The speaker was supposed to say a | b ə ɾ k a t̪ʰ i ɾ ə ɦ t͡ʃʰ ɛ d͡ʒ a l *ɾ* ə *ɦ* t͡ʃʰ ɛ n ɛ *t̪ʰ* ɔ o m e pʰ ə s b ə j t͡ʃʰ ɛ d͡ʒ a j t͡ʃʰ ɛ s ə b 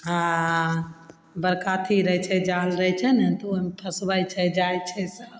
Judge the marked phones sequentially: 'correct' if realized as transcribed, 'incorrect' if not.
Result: correct, correct, incorrect: t̪

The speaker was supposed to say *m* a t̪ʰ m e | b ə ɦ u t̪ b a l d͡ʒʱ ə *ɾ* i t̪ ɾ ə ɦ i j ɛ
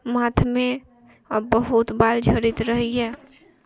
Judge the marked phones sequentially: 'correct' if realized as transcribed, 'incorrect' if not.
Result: correct, correct

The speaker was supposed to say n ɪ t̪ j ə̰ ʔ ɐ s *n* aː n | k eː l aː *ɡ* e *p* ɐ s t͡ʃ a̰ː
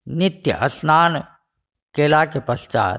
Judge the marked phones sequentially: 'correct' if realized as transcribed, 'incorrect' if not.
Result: correct, incorrect: k, correct

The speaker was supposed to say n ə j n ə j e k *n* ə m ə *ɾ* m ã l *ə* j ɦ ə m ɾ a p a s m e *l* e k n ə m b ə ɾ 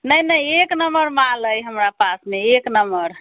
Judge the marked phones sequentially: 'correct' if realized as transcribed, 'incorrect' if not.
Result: correct, correct, correct, incorrect: none

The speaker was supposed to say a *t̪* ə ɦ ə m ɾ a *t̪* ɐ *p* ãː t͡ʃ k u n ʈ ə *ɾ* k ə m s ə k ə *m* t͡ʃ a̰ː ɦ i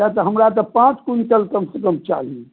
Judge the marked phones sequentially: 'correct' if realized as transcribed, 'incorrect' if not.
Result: correct, correct, correct, incorrect: l, correct

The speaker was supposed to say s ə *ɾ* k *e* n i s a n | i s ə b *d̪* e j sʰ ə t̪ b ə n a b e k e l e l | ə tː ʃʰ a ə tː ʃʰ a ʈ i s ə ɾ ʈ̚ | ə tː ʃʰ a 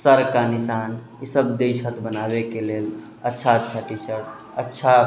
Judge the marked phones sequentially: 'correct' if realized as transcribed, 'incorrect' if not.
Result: correct, incorrect: a, correct

